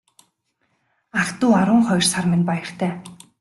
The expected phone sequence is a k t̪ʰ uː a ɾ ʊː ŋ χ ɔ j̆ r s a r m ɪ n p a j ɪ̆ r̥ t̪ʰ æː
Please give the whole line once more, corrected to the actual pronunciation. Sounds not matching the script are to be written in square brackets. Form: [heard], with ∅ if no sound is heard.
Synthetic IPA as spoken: a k [t̪] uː a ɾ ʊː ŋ χ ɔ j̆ r s a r m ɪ n p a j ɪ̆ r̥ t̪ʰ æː